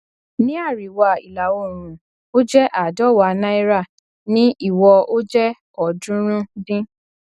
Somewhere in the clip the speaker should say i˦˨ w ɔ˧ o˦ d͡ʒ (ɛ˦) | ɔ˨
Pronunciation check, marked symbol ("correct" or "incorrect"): correct